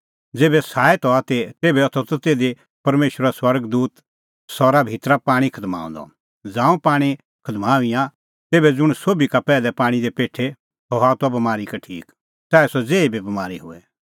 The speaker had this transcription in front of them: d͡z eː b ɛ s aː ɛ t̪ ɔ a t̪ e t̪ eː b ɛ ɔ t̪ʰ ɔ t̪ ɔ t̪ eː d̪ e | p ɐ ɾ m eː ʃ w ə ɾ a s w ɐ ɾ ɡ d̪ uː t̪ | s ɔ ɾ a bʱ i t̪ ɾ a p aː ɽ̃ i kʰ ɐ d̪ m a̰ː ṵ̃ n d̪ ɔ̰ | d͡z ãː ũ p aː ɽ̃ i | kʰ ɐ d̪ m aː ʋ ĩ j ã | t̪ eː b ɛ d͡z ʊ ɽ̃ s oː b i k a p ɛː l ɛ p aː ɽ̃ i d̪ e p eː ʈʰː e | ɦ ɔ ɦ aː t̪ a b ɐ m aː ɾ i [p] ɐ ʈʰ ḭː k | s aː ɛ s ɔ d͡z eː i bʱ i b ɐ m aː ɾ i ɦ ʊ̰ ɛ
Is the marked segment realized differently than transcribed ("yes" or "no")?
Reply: yes